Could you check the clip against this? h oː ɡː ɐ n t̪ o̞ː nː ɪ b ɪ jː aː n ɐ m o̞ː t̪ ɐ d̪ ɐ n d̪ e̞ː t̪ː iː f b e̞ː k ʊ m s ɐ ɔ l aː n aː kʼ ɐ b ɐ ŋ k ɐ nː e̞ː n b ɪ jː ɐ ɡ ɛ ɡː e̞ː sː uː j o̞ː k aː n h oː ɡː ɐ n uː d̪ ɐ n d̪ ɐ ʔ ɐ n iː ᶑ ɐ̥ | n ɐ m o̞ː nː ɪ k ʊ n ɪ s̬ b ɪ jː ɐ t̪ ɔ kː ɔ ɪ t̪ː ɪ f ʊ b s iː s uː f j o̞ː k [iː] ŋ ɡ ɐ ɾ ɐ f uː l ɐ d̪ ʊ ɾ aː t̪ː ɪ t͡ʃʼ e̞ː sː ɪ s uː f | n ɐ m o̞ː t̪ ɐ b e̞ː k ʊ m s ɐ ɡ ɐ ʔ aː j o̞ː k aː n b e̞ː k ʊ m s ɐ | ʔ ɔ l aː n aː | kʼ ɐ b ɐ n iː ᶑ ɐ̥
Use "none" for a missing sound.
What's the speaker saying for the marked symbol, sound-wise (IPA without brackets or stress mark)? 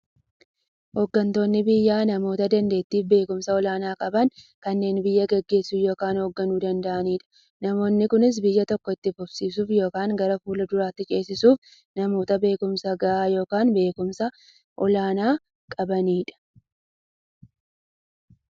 aː